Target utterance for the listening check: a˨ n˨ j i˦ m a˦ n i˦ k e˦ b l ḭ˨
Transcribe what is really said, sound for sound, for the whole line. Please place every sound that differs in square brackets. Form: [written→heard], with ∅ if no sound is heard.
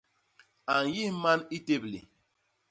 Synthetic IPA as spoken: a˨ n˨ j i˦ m a˦ n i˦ [k→t] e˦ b l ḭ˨